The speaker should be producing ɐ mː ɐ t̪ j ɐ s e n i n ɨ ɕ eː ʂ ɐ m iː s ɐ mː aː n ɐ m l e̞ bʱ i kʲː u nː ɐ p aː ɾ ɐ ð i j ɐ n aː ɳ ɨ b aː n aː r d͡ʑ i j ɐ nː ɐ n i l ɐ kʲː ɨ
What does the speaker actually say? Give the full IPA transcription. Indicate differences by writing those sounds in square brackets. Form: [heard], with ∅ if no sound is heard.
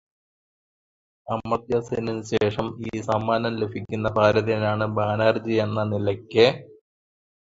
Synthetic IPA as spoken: ɐ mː ɐ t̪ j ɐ s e n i n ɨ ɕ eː ʂ ɐ m iː s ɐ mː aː n ɐ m l e̞ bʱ i kʲː u nː ɐ p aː ɾ ɐ ð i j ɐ n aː ɳ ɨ b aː n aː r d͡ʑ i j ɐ nː ɐ n i l ɐ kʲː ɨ